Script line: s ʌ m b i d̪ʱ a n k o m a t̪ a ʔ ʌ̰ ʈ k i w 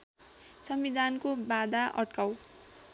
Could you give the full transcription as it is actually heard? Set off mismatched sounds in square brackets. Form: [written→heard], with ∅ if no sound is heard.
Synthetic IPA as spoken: s ʌ m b i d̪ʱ a n k o [m→b] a [t̪→d̪] a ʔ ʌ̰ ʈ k [i→a] w